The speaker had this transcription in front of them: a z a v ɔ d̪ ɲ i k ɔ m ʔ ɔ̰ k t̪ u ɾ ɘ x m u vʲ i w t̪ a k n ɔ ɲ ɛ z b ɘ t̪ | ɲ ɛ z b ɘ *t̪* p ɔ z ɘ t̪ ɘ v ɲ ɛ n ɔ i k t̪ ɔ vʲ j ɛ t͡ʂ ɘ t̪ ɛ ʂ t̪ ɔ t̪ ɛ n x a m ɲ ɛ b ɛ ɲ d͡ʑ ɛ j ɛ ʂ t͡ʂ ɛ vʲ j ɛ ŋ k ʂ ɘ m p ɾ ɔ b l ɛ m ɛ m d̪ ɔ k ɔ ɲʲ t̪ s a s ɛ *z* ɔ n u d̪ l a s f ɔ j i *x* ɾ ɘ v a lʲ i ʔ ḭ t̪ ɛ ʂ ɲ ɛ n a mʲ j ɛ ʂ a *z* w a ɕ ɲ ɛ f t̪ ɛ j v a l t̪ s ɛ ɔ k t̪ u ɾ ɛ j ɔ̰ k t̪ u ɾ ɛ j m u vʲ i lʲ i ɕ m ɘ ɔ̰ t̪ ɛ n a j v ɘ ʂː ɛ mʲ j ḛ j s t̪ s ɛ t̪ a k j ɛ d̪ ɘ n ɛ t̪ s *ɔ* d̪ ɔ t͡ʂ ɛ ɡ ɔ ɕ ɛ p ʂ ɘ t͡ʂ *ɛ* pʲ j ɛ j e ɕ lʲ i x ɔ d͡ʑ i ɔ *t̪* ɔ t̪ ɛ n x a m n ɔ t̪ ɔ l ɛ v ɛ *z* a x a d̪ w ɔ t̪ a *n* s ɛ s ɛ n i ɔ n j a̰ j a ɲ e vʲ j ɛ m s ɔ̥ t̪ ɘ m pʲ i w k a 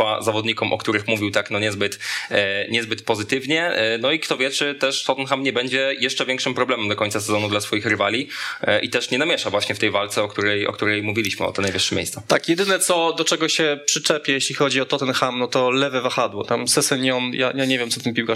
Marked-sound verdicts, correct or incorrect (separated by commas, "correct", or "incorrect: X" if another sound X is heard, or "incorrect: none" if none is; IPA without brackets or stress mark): correct, correct, correct, incorrect: v, correct, correct, correct, incorrect: v, incorrect: m